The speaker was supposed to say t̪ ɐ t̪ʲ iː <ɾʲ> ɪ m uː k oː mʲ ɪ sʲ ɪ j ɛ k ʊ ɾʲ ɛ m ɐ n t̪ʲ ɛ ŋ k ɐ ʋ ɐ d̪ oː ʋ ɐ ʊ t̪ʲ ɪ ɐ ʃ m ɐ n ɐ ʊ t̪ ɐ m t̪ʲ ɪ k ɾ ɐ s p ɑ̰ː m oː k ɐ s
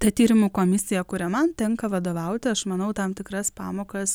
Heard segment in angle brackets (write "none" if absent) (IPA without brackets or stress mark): ɾʲ